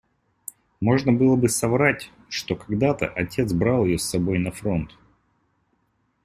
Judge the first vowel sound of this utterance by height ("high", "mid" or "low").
mid